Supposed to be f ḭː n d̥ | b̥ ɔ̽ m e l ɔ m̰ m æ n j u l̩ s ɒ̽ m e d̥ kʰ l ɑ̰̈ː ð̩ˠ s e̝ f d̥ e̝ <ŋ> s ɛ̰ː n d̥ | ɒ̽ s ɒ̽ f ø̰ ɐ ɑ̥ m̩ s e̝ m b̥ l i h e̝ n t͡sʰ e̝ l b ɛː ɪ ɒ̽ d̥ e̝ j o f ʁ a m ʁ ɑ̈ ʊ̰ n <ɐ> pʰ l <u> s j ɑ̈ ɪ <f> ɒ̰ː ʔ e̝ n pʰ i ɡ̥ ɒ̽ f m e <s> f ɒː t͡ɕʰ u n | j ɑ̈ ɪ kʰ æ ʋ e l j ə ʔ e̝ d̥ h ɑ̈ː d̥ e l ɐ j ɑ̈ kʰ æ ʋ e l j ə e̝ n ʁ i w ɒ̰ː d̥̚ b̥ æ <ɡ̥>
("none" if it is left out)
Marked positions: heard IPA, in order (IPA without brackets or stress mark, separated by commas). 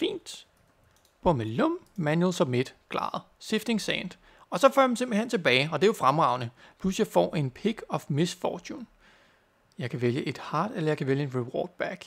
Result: ŋ, ə, u, f, s, ɡ̥